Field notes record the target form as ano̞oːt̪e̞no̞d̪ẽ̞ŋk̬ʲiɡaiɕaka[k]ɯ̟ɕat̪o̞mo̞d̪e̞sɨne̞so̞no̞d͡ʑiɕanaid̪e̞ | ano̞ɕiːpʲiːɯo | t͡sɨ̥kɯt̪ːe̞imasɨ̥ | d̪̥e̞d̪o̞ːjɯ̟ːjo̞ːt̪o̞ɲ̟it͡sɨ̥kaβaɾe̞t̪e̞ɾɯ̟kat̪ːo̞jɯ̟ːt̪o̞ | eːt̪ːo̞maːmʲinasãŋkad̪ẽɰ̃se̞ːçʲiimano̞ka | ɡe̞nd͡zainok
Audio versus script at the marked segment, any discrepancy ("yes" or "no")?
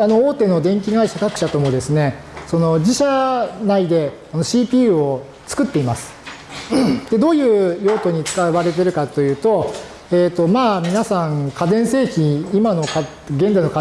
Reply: no